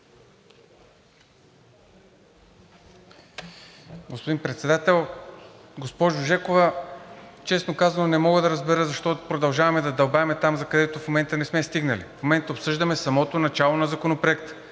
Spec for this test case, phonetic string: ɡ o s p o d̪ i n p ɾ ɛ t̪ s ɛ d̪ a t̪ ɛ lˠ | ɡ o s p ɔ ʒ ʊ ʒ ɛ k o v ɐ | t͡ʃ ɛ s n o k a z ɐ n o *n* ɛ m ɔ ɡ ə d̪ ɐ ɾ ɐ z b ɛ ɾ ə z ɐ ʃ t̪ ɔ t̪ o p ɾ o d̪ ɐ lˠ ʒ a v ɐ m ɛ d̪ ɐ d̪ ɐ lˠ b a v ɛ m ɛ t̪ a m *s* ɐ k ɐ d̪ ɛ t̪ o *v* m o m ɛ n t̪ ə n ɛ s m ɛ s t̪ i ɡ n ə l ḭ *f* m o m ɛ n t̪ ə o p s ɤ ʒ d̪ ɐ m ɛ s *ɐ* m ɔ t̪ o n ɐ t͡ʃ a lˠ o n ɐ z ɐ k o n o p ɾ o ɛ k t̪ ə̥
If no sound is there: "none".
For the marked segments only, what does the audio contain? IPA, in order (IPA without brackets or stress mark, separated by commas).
n, z, f, f, ɐ